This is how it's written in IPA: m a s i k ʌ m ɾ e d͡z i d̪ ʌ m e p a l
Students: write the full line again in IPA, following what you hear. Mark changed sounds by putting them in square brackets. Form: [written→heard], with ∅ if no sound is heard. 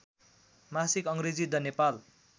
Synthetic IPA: m a s i k ʌ [m→ŋ] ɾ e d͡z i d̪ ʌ [m→n] e p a l